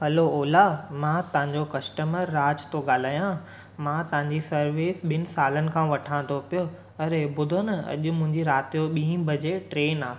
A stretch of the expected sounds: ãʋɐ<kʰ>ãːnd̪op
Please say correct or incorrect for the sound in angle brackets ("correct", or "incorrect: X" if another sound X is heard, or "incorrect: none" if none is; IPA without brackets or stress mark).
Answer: incorrect: ʈʰ